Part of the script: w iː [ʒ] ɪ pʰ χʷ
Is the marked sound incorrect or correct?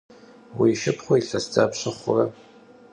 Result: incorrect